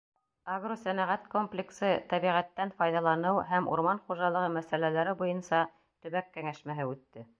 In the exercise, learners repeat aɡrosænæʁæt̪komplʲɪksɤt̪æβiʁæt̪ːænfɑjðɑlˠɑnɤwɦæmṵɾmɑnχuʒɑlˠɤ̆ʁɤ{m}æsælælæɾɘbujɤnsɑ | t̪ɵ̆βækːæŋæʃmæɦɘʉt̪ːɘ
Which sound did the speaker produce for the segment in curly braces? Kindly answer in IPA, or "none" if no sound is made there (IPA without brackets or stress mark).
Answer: m